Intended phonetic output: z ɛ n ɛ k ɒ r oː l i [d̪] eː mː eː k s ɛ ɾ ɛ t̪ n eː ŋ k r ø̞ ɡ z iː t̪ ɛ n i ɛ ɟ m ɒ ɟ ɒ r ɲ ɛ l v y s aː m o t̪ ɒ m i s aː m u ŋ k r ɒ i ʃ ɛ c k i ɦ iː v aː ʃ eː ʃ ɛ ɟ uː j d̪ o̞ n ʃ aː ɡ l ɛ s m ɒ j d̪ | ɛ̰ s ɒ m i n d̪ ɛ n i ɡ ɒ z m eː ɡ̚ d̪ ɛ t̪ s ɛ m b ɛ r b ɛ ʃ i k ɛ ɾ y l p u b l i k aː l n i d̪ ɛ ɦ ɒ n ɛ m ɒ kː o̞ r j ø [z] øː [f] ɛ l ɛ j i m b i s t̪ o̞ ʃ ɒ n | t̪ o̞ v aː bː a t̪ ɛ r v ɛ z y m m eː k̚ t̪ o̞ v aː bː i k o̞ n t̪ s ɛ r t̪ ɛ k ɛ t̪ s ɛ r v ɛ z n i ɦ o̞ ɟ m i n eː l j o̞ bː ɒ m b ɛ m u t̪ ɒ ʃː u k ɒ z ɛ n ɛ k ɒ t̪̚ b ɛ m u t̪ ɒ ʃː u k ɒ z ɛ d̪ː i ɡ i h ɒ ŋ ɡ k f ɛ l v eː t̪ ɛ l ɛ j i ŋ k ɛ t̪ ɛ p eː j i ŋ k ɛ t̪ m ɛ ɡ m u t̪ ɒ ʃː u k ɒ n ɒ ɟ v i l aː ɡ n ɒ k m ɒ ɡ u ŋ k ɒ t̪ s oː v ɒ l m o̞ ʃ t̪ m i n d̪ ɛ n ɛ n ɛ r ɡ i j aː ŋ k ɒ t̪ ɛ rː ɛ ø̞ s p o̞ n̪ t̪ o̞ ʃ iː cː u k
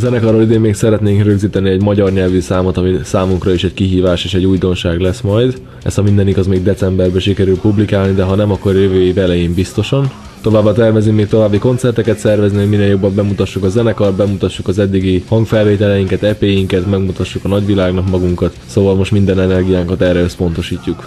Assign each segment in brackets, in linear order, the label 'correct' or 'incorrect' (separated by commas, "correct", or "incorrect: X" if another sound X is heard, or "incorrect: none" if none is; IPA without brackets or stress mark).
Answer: correct, incorrect: v, incorrect: v